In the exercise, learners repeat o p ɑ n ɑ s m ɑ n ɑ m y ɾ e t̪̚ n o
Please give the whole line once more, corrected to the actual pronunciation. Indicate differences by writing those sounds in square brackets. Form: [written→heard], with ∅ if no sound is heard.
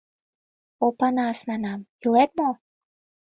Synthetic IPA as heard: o p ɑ n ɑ s m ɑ n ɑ m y [ɾ→l] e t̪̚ [n→m] o